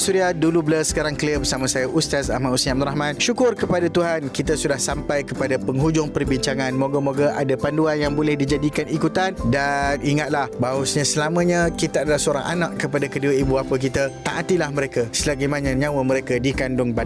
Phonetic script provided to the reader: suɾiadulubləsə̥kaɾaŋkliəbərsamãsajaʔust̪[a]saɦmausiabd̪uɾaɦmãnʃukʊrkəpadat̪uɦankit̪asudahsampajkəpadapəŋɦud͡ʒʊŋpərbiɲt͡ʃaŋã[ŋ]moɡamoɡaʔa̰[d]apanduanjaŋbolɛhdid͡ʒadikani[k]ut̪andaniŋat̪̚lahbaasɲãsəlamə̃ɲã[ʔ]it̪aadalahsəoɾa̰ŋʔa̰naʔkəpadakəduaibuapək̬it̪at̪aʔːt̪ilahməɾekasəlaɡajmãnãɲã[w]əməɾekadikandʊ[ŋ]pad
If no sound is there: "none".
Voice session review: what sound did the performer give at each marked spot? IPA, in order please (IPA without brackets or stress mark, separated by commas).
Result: a, n, d, k, k, w, ŋ